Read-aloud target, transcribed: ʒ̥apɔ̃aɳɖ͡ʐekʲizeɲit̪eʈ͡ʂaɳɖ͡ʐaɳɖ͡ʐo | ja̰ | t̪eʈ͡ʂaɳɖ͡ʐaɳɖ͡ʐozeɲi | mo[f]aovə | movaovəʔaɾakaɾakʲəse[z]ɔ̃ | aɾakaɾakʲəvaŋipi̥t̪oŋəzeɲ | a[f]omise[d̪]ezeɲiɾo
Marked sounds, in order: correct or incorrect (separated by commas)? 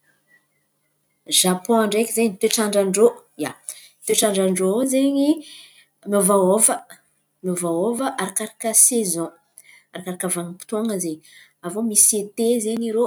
incorrect, correct, incorrect, incorrect